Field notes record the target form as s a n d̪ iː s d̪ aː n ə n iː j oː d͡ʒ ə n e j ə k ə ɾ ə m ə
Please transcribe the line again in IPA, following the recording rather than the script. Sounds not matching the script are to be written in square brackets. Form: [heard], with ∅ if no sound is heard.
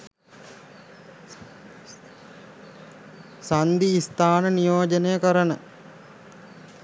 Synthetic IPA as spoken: s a n d̪ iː s [t̪] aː n ə n [i] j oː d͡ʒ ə n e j ə k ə ɾ ə [n] ə